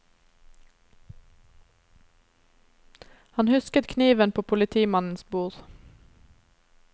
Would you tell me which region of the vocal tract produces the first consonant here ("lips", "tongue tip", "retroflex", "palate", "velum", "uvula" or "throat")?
throat